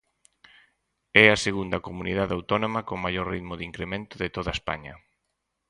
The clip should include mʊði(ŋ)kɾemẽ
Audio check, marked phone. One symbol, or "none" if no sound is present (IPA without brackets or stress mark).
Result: ŋ